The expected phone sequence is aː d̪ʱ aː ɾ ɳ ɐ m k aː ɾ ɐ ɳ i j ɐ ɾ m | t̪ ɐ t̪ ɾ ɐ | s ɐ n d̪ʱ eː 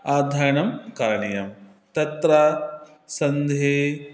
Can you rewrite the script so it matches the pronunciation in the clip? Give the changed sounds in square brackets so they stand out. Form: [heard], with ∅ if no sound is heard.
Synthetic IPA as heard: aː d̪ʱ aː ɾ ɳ ɐ m k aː ɾ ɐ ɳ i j ɐ [∅] m | t̪ ɐ t̪ ɾ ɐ | s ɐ n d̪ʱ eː

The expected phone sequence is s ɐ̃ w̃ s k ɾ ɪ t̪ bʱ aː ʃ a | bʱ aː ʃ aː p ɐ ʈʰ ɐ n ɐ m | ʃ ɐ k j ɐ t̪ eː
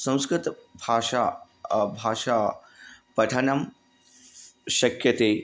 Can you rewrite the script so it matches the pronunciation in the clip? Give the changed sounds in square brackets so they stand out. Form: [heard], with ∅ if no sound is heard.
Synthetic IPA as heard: s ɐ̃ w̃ s k ɾ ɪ t̪ bʱ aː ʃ a | bʱ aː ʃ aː p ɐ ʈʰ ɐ n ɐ m | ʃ ɐ k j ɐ t̪ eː

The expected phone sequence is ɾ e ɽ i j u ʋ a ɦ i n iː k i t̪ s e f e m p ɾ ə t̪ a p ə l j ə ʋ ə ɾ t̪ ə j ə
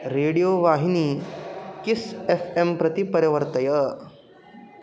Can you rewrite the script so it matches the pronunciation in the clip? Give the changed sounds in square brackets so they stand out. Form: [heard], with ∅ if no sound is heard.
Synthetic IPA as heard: ɾ e ɽ i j [o] ʋ a ɦ i n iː k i [∅] s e f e m p ɾ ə t̪ [i] p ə [ɾ] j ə ʋ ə ɾ t̪ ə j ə

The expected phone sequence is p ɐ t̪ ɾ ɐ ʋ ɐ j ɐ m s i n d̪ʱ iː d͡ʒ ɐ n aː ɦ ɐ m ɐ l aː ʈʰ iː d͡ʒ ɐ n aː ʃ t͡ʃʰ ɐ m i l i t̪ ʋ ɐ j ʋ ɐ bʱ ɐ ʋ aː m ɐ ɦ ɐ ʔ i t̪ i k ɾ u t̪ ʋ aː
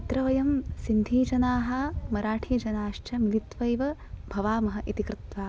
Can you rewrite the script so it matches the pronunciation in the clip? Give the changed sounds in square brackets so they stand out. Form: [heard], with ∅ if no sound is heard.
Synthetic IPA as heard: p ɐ t̪ ɾ ɐ ʋ ɐ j ɐ m s i n d̪ʱ iː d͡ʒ ɐ n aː ɦ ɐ m ɐ [ɾ] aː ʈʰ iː d͡ʒ ɐ n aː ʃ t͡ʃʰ ɐ m i l i t̪ ʋ ɐ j ʋ ɐ bʱ ɐ ʋ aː m ɐ ɦ ɐ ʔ i t̪ i k ɾ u t̪ ʋ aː

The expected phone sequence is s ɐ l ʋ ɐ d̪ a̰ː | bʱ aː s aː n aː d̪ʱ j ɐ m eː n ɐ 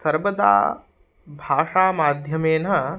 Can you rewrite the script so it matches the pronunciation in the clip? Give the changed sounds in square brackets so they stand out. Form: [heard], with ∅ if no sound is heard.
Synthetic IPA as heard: s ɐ [ɾ] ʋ ɐ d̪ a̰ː | bʱ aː [ʂ] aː [m] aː d̪ʱ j ɐ m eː n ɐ

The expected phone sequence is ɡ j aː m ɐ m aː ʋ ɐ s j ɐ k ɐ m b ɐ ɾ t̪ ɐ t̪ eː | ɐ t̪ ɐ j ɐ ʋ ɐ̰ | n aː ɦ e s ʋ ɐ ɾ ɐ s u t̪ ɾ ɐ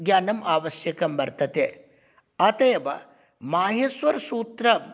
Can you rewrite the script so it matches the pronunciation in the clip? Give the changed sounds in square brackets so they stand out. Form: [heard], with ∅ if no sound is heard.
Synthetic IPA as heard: ɡ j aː [n] ɐ m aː ʋ ɐ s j ɐ k ɐ m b ɐ ɾ t̪ ɐ t̪ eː | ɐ t̪ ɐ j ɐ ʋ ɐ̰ | [m] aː ɦ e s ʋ ɐ ɾ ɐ s [uː] t̪ ɾ ɐ

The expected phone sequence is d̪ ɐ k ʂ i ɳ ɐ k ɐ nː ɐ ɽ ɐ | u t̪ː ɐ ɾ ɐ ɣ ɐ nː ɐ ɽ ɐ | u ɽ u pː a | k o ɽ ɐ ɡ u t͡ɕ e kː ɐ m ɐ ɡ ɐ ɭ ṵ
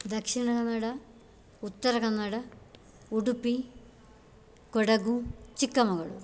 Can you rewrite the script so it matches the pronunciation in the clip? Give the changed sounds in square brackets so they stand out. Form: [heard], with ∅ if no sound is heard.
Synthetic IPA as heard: d̪ ɐ k ʂ i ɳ ɐ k ɐ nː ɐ ɽ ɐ | u t̪ː ɐ ɾ ɐ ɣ ɐ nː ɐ ɽ ɐ | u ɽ u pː [i] | k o ɽ ɐ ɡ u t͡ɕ [i] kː ɐ m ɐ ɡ ɐ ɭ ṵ

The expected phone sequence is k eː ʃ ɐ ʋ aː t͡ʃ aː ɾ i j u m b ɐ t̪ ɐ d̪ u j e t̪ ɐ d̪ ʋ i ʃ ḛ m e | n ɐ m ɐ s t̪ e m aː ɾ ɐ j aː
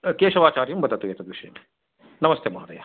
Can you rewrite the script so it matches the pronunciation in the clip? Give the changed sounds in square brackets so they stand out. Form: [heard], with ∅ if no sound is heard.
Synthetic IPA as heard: k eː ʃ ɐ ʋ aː t͡ʃ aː ɾ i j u m b ɐ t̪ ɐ [t̪] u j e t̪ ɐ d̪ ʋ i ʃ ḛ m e | n ɐ m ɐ s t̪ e m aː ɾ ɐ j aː

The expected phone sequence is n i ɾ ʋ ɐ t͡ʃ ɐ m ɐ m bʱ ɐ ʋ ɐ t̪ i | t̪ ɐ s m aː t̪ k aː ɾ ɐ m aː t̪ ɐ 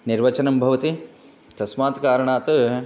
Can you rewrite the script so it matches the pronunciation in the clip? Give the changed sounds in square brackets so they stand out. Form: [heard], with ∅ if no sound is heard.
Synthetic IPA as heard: n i ɾ ʋ ɐ t͡ʃ ɐ [n] ɐ m bʱ ɐ ʋ ɐ t̪ i | t̪ ɐ s m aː t̪ k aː ɾ ɐ [ɳ] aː t̪ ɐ

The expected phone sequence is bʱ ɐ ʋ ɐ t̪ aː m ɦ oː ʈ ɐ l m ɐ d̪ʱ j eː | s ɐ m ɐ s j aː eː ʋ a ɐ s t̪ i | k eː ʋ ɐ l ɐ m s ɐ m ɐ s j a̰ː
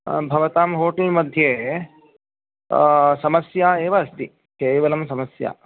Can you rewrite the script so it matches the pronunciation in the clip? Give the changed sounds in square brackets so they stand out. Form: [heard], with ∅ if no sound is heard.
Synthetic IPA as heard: bʱ ɐ ʋ ɐ t̪ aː m ɦ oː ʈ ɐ l m ɐ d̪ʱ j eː | s ɐ m ɐ s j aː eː ʋ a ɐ s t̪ i | k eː ʋ ɐ l ɐ m s ɐ m ɐ s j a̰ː

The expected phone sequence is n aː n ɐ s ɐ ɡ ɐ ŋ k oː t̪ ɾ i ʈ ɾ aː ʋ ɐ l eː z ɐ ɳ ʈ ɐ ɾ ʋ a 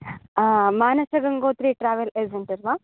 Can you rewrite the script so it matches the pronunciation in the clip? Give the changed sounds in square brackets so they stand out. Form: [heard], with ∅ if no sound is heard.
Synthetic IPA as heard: [m] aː n ɐ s ɐ ɡ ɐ ŋ [ɡ] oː t̪ ɾ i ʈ ɾ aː ʋ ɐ l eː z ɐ ɳ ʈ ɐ ɾ ʋ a

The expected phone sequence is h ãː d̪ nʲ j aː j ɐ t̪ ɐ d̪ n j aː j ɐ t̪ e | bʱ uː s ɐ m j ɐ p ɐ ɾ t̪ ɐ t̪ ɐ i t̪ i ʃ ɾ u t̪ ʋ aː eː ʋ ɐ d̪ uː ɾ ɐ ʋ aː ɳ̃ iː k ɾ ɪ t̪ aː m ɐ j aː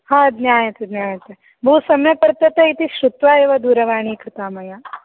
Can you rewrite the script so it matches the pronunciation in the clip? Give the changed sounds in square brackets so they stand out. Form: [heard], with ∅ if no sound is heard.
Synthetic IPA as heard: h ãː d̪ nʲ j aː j ɐ t̪ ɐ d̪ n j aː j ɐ t̪ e | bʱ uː s ɐ m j ɐ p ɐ ɾ t̪ ɐ t̪ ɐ i t̪ i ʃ ɾ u t̪ ʋ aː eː ʋ ɐ d̪ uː ɾ ɐ ʋ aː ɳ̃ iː k ɾ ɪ t̪ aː m ɐ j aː

